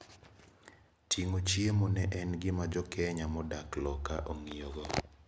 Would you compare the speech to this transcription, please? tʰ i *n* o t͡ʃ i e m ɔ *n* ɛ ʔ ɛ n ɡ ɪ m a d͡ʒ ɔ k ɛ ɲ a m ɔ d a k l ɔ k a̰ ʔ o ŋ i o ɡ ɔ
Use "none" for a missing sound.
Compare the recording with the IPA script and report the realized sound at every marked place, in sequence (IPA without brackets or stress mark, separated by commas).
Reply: ŋ, n